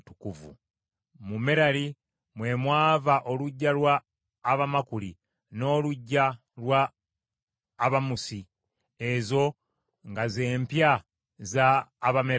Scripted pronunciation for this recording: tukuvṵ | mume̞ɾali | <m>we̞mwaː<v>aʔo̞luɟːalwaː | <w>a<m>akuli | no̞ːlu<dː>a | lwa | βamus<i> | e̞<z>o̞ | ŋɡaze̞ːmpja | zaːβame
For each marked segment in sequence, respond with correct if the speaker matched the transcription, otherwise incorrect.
correct, correct, incorrect, correct, incorrect, correct, correct

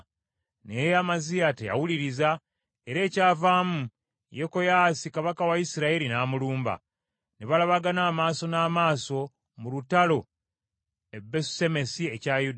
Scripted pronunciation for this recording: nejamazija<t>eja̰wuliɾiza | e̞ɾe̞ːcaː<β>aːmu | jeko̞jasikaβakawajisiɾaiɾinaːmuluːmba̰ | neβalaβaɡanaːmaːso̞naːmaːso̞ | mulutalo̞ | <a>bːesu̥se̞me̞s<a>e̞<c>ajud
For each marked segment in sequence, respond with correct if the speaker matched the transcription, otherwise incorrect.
correct, incorrect, incorrect, incorrect, correct

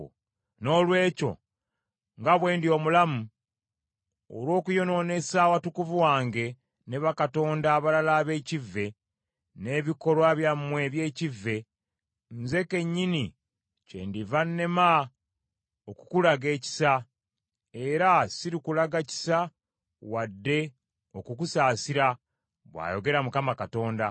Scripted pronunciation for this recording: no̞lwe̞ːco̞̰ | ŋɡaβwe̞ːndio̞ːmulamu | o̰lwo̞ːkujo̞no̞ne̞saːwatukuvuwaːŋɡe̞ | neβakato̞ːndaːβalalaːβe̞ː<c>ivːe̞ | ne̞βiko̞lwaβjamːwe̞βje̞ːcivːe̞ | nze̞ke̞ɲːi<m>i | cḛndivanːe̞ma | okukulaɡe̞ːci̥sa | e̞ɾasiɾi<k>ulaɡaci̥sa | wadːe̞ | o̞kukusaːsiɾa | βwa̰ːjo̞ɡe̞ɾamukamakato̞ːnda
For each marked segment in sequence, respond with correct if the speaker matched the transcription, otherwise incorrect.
correct, incorrect, correct

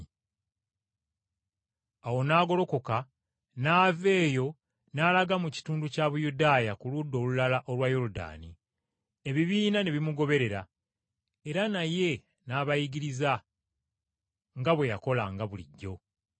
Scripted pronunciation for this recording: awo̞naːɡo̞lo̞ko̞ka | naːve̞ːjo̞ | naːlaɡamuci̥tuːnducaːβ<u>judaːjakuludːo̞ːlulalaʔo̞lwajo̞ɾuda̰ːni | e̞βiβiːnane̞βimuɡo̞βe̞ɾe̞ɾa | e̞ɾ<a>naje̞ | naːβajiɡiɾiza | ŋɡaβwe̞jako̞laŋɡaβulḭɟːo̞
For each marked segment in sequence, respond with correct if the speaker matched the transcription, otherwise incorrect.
correct, correct

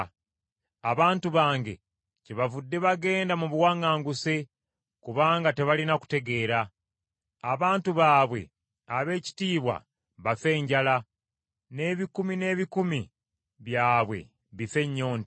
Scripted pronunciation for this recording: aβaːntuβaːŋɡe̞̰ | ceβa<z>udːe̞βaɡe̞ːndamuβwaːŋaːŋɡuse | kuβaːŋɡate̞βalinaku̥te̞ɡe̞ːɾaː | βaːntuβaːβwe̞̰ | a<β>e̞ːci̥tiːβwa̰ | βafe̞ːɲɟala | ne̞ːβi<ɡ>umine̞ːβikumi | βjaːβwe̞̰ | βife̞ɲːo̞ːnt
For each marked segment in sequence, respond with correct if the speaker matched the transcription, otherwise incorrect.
incorrect, correct, incorrect

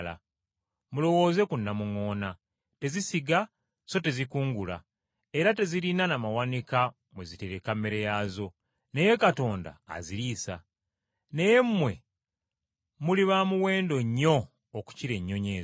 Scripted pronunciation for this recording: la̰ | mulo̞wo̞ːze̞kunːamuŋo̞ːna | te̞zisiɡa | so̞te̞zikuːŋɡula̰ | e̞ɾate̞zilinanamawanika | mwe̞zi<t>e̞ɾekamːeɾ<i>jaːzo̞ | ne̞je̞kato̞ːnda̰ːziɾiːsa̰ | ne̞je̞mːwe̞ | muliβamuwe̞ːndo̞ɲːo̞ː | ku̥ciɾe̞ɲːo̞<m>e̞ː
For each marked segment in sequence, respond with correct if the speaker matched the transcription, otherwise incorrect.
correct, incorrect, incorrect

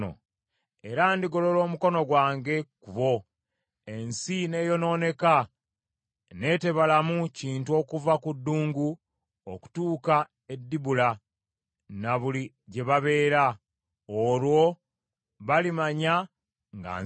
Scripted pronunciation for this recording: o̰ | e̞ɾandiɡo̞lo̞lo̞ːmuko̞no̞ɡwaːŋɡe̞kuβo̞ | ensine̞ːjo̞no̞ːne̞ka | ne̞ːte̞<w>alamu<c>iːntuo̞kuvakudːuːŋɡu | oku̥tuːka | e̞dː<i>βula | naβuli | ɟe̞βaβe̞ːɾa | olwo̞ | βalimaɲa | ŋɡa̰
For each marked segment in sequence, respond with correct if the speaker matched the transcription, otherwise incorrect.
incorrect, correct, correct

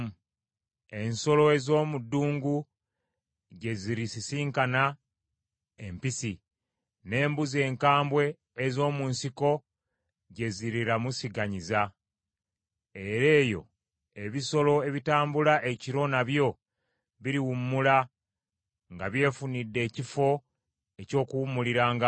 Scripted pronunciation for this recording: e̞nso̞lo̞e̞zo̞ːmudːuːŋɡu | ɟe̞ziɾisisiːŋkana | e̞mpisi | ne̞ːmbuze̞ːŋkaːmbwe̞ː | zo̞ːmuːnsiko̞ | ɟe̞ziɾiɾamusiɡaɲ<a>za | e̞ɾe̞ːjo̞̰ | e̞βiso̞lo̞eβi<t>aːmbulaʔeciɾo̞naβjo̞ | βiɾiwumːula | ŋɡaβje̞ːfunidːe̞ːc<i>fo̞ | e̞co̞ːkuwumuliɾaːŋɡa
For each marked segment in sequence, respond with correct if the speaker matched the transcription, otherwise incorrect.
incorrect, correct, correct

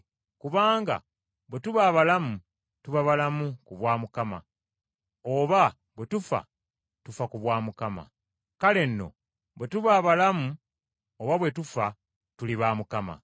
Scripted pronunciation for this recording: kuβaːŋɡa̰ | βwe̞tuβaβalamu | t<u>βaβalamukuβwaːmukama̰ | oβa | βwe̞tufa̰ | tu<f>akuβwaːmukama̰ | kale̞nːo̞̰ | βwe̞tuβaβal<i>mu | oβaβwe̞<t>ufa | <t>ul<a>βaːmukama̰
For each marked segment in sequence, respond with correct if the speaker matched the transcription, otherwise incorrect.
correct, correct, incorrect, correct, correct, incorrect

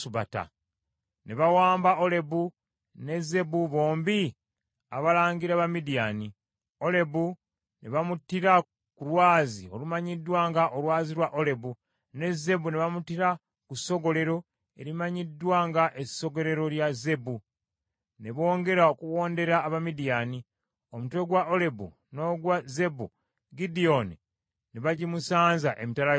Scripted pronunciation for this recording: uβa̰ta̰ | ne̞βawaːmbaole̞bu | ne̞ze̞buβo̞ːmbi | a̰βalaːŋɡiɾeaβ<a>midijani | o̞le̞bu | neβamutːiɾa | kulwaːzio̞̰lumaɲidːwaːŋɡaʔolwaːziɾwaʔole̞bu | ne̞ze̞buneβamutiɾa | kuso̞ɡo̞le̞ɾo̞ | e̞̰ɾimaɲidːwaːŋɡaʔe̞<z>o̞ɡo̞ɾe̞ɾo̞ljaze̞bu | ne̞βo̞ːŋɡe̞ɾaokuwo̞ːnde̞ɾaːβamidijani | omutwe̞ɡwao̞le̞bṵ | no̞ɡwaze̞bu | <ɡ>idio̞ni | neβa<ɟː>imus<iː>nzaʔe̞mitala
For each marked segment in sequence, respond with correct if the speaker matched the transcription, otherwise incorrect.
correct, incorrect, correct, incorrect, incorrect

